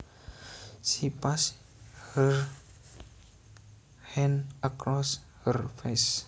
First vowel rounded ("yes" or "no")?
no